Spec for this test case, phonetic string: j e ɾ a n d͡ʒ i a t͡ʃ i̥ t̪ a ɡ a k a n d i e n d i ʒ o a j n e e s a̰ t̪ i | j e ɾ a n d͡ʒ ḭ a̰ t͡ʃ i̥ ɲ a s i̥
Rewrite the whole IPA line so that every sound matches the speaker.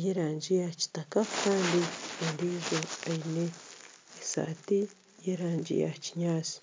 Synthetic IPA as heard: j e ɾ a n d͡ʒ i a t͡ʃ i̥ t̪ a k a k a n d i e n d i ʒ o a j n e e s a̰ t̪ i | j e ɾ a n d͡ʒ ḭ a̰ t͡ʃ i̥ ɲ a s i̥